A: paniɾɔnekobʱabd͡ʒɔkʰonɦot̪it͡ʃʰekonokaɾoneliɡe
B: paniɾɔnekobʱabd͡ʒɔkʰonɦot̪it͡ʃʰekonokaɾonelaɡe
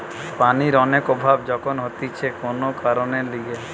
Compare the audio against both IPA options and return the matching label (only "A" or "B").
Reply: A